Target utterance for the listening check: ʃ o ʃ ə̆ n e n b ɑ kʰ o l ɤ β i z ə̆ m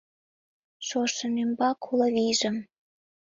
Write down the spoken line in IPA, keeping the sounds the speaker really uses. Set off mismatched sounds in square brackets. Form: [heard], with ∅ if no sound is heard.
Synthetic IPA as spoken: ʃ o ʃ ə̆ n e [m] b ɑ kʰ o l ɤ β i [ʒ] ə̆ m